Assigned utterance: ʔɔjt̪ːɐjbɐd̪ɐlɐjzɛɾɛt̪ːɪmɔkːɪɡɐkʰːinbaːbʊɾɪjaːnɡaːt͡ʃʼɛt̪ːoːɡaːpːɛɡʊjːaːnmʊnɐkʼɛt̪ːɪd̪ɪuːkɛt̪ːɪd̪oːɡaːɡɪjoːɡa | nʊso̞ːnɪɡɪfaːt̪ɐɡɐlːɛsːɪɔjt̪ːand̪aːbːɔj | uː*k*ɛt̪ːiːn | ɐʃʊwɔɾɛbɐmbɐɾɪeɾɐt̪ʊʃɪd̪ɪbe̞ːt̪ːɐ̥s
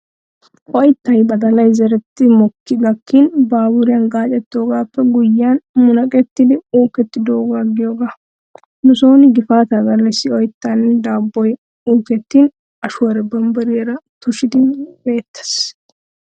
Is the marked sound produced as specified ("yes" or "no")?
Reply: yes